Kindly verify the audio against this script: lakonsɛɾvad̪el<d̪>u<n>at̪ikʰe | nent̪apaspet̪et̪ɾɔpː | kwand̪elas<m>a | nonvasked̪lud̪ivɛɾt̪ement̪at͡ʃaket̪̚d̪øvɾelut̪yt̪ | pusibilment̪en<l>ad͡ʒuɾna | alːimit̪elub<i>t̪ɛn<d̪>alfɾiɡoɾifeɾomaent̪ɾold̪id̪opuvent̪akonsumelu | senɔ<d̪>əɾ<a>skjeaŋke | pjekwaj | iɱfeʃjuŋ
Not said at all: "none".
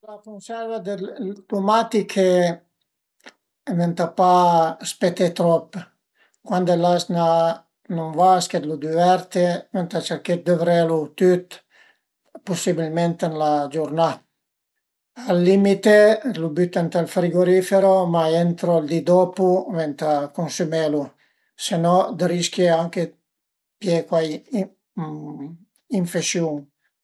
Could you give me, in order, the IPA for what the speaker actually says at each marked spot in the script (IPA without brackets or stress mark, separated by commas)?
t̪, m, n, l, y, t̪, d̪, i